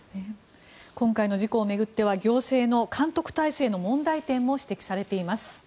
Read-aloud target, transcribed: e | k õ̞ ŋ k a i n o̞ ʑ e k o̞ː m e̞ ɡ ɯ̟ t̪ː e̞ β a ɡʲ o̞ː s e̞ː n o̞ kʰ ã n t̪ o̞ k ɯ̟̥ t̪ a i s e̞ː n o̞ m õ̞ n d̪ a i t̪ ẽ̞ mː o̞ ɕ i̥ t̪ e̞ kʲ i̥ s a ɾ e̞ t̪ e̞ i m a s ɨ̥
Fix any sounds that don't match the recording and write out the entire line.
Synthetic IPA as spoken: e | k õ̞ ŋ k a i n o̞ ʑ i k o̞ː m e̞ ɡ ɯ̟ t̪ː e̞ β a ɡʲ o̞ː s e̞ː n o̞ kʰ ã n t̪ o̞ k ɯ̟̥ t̪ a i s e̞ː n o̞ m õ̞ n d̪ a i t̪ ẽ̞ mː o̞ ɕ i̥ t̪ e̞ kʲ i̥ s a ɾ e̞ t̪ e̞ i m a s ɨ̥